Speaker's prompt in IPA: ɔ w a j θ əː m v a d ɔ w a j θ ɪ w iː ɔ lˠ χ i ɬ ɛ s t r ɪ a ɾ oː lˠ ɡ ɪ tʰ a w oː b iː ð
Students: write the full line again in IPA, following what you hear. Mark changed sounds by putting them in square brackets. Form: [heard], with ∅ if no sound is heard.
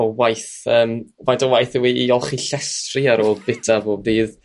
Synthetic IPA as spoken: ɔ w a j θ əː m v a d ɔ w a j θ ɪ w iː ɔ lˠ χ i ɬ ɛ s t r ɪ a ɾ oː lˠ [b] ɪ tʰ a [v] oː b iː ð